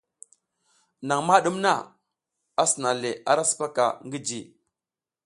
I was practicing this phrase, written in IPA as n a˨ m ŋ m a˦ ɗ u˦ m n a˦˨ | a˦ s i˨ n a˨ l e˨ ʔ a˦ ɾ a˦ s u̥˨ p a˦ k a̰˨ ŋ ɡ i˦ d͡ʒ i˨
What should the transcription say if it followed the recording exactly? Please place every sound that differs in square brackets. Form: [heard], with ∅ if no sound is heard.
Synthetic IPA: n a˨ [∅] ŋ m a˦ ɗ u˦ m n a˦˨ | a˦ s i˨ n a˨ l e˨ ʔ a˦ ɾ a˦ s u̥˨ p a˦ k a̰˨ ŋ ɡ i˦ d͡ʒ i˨